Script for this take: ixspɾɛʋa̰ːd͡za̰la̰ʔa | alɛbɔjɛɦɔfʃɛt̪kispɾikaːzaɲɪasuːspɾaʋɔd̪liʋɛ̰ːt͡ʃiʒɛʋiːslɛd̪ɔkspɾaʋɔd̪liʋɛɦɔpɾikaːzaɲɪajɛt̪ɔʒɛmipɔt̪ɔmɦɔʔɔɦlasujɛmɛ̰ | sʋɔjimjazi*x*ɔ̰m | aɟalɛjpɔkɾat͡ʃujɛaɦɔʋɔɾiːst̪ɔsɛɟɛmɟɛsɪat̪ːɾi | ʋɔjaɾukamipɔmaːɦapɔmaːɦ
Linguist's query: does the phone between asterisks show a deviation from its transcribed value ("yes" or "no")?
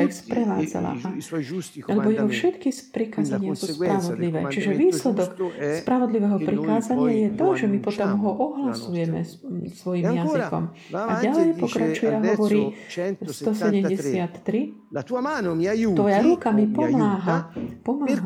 yes